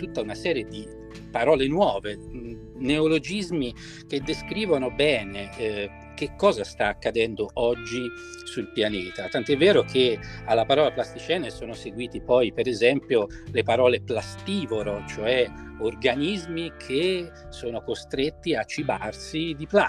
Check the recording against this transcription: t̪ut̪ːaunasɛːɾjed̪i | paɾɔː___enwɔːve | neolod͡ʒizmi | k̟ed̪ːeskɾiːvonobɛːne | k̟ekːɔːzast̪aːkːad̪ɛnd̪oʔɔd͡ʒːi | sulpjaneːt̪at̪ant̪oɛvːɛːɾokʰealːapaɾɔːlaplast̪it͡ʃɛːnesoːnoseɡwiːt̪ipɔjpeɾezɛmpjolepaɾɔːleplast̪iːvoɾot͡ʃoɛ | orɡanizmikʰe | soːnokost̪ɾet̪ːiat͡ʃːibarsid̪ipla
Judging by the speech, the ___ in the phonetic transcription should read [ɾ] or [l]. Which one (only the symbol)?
l